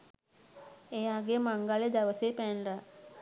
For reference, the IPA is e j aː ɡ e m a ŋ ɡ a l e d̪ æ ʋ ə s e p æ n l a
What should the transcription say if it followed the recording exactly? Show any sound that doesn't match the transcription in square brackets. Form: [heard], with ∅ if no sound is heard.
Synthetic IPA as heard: e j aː ɡ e m a ŋ ɡ a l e d̪ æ ʋ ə s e p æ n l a